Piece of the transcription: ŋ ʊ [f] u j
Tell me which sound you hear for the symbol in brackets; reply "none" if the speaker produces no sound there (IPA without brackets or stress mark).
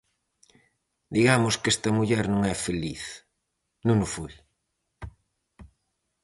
f